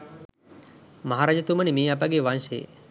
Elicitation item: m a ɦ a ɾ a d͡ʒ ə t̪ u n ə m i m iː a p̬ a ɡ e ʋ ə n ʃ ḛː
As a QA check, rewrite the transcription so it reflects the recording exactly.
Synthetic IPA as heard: m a ɦ a ɾ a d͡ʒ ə t̪ u m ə n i m iː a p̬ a ɡ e ʋ a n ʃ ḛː